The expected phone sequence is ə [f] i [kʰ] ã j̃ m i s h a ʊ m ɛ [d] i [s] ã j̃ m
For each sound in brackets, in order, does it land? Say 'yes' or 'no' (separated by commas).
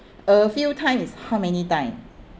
yes, no, no, no